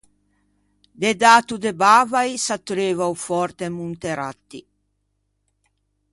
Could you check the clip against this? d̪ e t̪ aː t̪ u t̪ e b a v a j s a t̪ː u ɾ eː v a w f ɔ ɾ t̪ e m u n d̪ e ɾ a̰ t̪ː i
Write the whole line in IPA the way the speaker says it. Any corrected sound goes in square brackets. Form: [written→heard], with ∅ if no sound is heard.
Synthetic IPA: d̪ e [t̪→d̪] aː t̪ u [t̪→d̪] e b a v a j s a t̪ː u ɾ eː v a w f ɔ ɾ t̪ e m u n [d̪→t̪] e ɾ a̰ t̪ː i